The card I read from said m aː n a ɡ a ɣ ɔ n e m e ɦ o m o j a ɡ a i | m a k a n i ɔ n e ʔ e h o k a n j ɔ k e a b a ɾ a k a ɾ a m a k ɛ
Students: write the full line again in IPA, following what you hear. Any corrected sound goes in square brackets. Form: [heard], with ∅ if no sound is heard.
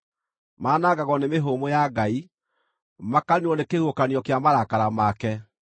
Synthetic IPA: m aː n a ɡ a ɣ ɔ n e m e ɦ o m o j a ɡ a i | m a k a n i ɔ n e [k] e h o k a n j ɔ k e a [m] a ɾ a k a ɾ a m a k ɛ